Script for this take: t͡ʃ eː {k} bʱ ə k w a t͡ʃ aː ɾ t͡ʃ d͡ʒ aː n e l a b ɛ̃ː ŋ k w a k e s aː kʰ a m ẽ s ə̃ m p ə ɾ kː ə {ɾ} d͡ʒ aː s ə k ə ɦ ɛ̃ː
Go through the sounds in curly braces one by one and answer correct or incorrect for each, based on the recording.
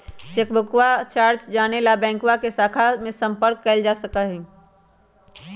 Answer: correct, incorrect

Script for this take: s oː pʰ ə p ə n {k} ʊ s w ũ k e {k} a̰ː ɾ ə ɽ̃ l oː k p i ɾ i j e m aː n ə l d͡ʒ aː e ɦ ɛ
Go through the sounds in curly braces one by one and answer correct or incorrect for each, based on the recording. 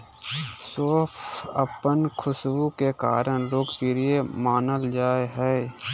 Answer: incorrect, correct

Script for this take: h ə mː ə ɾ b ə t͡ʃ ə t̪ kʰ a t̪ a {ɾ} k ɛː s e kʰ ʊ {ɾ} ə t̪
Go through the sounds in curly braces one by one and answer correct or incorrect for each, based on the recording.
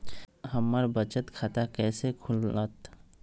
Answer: incorrect, incorrect

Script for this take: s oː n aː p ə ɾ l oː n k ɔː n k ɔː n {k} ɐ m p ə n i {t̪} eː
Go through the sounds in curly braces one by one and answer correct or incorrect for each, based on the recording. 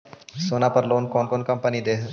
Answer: correct, incorrect

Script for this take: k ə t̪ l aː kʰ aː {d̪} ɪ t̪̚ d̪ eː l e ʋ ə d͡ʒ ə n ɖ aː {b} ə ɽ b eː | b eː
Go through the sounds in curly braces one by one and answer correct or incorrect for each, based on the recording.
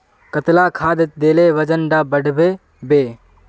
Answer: correct, correct

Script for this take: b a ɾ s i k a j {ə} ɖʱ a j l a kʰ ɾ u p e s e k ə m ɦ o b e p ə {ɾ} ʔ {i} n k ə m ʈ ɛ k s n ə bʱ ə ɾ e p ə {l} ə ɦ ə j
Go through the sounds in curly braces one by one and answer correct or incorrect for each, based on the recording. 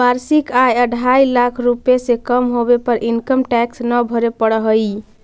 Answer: correct, correct, correct, incorrect

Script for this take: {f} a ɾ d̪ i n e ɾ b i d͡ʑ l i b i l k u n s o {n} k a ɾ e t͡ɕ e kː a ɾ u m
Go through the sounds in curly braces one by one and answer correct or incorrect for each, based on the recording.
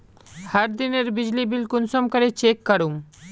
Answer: incorrect, incorrect

